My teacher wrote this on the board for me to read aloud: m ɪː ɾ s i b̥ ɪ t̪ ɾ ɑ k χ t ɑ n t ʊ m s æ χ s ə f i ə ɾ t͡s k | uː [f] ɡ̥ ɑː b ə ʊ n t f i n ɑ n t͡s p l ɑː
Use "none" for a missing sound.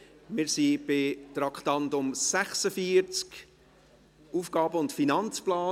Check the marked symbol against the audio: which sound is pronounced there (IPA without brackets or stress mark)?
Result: f